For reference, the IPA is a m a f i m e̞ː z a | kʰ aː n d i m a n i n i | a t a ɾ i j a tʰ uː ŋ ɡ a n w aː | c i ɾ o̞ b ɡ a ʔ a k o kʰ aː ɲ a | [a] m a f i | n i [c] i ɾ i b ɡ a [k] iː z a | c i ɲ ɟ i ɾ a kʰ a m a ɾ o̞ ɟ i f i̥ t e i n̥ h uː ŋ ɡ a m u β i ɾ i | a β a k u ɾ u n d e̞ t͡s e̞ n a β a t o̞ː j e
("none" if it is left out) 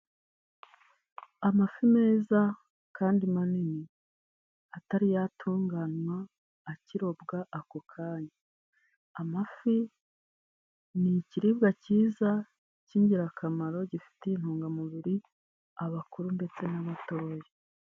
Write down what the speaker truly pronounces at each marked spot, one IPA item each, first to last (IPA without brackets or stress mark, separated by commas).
a, c, c